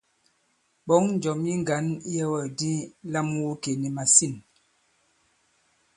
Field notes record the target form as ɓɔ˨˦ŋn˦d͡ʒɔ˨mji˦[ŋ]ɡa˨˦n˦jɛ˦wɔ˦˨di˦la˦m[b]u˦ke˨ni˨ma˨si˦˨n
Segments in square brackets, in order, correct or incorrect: correct, incorrect

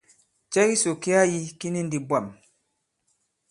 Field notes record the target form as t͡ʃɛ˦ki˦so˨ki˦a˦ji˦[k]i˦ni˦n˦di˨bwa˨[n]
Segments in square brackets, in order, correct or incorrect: correct, incorrect

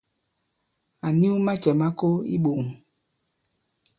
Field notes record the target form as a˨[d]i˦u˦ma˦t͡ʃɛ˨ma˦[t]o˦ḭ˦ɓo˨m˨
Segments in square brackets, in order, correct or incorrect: incorrect, incorrect

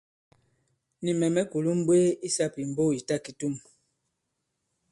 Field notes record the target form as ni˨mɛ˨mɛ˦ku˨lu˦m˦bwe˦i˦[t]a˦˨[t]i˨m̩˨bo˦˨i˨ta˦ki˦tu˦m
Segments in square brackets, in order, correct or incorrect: incorrect, incorrect

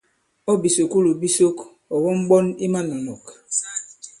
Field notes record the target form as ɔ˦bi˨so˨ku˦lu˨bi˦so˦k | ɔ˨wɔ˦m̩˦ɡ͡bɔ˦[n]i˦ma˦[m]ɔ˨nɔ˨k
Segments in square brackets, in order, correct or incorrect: correct, incorrect

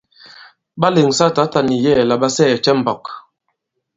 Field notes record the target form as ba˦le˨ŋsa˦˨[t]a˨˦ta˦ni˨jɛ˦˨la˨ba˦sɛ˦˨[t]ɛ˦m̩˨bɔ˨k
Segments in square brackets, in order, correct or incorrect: correct, incorrect

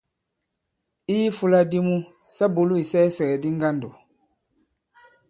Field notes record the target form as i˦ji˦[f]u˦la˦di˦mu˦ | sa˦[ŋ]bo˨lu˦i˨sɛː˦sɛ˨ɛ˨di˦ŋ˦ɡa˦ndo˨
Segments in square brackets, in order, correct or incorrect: correct, incorrect

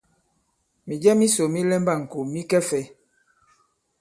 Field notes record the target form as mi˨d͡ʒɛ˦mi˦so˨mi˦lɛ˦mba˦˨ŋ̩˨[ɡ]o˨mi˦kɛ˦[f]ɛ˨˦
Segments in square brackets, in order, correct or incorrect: incorrect, correct

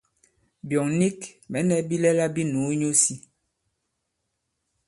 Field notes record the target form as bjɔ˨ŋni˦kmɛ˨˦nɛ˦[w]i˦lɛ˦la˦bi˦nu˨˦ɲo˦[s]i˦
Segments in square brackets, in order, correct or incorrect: incorrect, correct

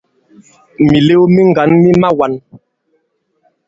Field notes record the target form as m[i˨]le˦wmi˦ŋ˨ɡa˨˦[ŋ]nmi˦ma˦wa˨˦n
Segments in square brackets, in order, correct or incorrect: correct, incorrect

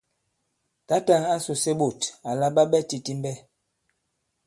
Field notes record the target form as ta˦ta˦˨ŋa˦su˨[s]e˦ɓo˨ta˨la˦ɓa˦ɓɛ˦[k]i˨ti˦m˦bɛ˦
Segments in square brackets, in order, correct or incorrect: correct, incorrect

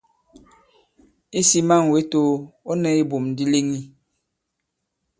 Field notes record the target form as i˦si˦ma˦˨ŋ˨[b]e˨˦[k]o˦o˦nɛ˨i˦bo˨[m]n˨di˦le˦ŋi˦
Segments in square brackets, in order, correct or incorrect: incorrect, incorrect, correct

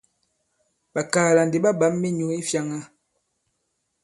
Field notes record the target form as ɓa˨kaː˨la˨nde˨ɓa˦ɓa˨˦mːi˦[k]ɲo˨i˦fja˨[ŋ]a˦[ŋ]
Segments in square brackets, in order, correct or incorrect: incorrect, correct, incorrect

